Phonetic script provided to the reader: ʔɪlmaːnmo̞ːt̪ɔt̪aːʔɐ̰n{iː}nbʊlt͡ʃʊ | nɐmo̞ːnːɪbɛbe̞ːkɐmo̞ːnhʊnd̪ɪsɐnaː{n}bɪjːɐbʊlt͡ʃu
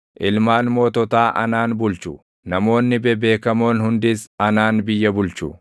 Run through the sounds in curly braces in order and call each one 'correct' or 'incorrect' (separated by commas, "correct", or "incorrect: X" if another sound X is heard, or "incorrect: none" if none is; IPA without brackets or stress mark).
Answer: incorrect: aː, correct